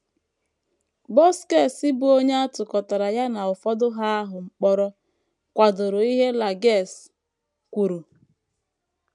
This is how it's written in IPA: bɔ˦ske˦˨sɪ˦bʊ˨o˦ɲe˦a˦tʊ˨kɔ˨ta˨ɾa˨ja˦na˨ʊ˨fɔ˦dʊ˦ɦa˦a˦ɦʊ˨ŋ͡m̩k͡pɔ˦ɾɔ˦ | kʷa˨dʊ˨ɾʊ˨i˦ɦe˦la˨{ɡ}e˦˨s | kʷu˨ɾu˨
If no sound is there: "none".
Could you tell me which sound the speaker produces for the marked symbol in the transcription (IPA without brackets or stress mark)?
ɡ